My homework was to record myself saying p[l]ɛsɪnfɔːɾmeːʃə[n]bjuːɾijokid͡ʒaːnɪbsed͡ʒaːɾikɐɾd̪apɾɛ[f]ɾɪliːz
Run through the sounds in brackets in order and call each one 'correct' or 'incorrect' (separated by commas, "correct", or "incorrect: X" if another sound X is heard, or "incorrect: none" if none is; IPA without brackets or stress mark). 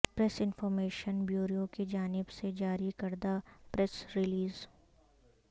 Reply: incorrect: ɾ, correct, incorrect: s